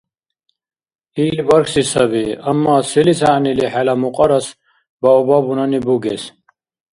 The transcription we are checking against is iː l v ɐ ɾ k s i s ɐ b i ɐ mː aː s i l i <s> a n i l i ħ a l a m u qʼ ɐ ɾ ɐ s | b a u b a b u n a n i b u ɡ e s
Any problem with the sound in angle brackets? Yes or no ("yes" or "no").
no